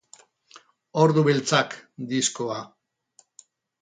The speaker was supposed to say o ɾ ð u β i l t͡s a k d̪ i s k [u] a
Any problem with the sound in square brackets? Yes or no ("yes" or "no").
yes